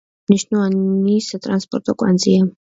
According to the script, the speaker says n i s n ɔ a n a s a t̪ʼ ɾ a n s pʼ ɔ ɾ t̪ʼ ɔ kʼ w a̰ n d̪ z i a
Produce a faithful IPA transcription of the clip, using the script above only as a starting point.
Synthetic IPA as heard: n i ʃ n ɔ a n i s a t̪ʼ ɾ a n s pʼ ɔ ɾ t̪ʼ ɔ kʼ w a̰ n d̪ z i a